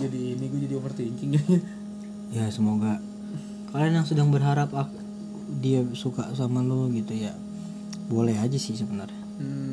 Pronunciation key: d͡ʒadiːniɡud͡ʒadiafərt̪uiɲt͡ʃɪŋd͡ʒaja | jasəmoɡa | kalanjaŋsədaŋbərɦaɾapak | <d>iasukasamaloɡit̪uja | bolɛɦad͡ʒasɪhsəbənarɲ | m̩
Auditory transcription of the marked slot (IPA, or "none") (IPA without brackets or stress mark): d